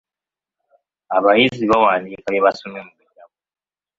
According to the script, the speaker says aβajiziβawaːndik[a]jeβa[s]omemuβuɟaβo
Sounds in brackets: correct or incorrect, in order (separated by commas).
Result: correct, correct